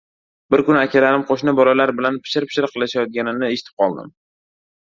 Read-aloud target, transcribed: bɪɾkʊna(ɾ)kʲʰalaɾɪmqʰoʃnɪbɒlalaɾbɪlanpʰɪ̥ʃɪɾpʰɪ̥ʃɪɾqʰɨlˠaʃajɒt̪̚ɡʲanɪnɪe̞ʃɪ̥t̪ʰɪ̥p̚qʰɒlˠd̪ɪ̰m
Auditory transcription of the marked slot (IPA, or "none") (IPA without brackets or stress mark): none